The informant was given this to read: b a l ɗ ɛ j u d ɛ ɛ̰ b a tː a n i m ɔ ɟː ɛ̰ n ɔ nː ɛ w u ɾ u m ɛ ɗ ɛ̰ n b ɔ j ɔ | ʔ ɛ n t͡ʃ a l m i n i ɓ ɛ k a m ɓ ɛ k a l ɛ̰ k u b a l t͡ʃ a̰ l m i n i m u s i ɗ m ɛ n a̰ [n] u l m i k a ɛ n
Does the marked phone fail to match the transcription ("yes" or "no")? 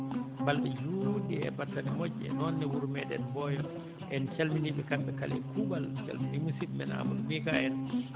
yes